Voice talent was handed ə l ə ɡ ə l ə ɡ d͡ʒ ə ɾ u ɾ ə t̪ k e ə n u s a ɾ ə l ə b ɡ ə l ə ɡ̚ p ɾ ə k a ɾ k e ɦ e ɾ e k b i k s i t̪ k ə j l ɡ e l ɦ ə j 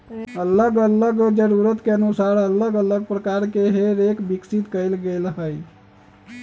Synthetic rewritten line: ə l ə ɡ ə l ə ɡ d͡ʒ ə ɾ u ɾ ə t̪ k e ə n u s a ɾ ə l ə ɡ ə l ə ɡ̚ p ɾ ə k a ɾ k e ɦ e ɾ e k b i k s i t̪ k ə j l ɡ e l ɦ ə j